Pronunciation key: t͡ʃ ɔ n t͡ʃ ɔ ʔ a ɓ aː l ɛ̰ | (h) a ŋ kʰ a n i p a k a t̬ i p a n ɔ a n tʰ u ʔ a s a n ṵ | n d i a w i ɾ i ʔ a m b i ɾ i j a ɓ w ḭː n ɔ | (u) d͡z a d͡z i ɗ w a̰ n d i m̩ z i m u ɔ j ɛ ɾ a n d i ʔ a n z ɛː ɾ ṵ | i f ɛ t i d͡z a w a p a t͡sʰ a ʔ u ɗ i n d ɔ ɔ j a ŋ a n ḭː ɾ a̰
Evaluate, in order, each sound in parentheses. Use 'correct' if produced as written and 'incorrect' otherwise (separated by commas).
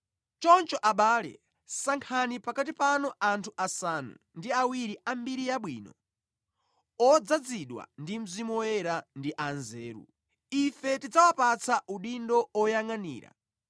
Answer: incorrect, incorrect